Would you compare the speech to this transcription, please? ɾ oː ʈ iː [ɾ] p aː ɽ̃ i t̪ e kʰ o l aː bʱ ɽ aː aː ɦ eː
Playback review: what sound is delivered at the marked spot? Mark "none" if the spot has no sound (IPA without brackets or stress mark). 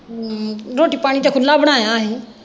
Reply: none